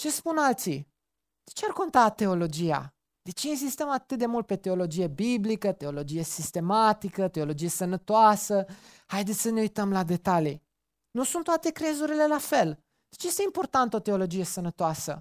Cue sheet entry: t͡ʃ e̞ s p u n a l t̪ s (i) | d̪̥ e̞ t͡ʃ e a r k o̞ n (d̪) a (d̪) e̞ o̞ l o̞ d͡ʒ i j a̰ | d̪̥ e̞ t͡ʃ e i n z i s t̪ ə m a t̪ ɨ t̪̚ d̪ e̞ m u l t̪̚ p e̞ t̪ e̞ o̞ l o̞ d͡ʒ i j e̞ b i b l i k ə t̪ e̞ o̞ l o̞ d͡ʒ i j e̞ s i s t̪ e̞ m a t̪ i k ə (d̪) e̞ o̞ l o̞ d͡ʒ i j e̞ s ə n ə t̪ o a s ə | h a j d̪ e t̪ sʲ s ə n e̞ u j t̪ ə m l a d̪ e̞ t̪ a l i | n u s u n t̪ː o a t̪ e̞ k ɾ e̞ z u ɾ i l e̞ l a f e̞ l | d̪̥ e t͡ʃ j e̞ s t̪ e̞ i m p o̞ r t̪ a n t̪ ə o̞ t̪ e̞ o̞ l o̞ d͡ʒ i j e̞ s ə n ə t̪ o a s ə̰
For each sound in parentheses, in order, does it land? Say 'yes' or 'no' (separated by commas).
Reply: yes, no, no, no